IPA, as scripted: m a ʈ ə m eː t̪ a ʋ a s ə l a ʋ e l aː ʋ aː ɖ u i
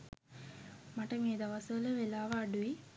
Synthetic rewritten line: m a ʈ ə m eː d̪ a ʋ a s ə l ə ʋ e l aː ʋ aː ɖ u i

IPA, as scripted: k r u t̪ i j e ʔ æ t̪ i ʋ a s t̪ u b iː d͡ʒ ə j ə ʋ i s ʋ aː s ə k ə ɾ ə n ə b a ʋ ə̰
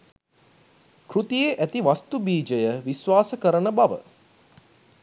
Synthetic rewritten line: k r u t̪ i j e ʔ æ t̪ i ʋ a s t̪ u b iː d͡ʒ ə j ə ʋ i s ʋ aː s ə k ə ɾ ə n ə b a ʋ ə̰

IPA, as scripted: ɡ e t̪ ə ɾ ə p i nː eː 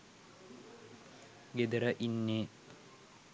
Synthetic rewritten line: ɡ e d̪ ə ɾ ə ʔ i nː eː

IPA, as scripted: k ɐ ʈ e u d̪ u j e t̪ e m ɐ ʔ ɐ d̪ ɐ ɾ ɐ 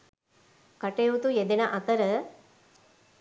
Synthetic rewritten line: k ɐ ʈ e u t̪ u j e d̪ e n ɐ ʔ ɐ t̪ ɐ ɾ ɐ

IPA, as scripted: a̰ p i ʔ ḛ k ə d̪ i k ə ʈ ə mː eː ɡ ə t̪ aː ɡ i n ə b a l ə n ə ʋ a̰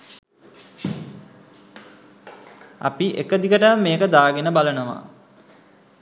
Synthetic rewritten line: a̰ p i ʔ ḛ k ə d̪ i k ə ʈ ə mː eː k ə d̪ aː ɡ e n ə b a l ə n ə ʋ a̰

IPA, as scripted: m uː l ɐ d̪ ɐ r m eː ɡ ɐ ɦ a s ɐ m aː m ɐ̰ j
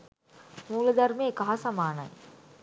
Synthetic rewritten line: m uː l ɐ d̪ ɐ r m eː k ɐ ɦ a s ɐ m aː n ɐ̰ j

